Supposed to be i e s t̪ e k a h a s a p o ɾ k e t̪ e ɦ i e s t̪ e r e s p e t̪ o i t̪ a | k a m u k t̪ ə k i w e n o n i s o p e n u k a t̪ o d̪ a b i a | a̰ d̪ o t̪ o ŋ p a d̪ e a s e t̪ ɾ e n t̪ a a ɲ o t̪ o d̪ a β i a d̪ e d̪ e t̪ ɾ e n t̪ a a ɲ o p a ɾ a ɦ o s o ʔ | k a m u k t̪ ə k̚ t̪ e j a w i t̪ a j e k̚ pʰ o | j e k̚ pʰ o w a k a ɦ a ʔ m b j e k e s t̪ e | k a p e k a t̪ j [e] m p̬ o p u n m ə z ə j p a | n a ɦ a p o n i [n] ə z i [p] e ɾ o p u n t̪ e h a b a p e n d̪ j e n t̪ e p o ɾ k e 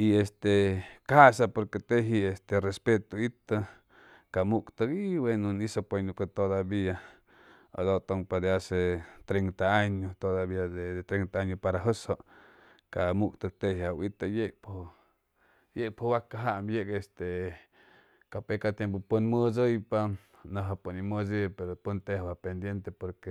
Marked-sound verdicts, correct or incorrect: correct, incorrect, correct

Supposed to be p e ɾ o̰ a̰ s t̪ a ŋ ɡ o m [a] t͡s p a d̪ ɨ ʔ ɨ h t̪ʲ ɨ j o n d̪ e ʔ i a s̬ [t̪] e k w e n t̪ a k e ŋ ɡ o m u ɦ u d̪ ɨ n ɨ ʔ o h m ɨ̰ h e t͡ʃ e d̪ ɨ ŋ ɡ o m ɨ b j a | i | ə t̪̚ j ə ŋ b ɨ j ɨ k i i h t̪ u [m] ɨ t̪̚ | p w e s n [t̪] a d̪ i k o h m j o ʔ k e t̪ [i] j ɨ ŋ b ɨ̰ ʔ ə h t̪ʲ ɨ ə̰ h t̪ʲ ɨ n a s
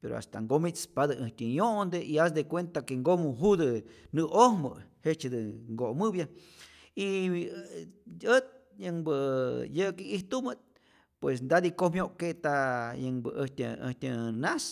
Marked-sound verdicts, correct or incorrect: incorrect, incorrect, correct, incorrect, incorrect

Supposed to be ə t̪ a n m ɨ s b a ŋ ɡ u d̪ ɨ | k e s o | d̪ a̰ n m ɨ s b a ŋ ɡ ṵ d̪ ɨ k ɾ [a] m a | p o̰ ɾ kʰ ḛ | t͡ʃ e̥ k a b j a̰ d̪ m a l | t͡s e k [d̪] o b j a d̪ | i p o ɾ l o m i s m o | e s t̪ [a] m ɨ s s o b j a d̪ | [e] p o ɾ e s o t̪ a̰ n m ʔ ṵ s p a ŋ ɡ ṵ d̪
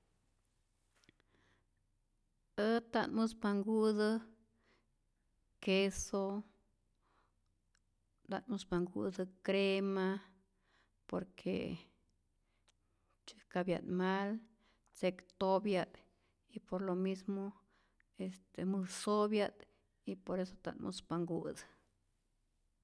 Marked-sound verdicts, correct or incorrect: incorrect, incorrect, incorrect, incorrect

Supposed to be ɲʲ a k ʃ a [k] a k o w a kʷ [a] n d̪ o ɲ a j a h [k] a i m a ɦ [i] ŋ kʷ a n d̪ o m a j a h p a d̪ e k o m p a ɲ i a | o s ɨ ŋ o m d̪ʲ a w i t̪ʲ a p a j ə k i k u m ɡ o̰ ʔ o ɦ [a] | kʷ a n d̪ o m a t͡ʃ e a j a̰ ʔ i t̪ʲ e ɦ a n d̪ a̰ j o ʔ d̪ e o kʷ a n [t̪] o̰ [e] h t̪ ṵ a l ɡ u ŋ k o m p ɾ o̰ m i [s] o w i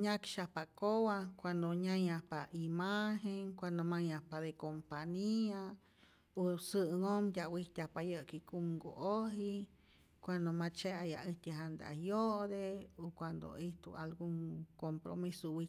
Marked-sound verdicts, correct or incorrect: incorrect, correct, incorrect, incorrect, incorrect, incorrect, incorrect, correct

